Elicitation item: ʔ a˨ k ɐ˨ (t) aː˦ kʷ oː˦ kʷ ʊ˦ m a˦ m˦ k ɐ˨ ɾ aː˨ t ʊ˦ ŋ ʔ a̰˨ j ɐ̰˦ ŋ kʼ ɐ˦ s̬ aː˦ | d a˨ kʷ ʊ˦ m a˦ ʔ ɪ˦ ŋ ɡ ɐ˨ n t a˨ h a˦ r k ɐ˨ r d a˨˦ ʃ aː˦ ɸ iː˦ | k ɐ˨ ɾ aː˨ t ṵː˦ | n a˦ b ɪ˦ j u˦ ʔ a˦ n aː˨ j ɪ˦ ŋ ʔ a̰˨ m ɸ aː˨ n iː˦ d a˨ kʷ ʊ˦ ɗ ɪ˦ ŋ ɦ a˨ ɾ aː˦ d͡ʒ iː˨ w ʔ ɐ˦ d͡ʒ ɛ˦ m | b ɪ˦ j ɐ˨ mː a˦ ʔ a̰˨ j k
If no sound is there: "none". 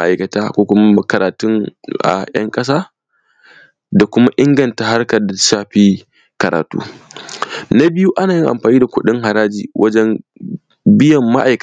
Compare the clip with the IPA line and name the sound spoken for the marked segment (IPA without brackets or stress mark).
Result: t